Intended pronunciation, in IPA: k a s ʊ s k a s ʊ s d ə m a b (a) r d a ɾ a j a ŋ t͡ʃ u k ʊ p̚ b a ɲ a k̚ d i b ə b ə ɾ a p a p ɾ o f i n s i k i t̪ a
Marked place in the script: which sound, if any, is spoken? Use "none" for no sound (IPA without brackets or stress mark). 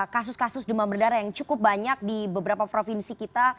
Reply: ə